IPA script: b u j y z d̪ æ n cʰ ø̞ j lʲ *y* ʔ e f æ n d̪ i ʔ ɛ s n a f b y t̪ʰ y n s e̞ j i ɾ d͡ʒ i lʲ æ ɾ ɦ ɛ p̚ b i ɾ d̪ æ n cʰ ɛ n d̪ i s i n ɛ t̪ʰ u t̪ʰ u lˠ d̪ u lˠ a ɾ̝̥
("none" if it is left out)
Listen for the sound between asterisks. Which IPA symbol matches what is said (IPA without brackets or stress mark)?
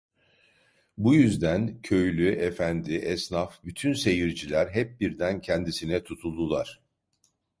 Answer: y